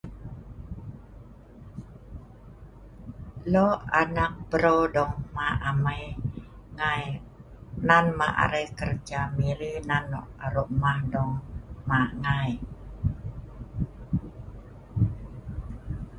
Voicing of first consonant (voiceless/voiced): voiced